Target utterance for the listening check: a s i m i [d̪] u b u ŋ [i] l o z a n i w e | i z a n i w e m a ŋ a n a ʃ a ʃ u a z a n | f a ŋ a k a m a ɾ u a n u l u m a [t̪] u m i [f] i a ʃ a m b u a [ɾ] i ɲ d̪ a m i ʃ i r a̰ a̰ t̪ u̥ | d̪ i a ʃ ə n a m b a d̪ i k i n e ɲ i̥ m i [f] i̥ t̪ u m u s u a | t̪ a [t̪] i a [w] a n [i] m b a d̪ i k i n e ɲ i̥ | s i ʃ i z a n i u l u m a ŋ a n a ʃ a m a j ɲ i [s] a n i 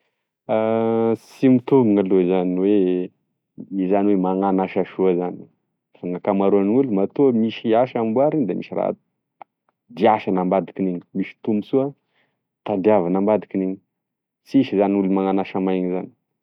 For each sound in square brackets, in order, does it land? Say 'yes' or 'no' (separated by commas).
no, no, yes, no, yes, no, no, no, no, no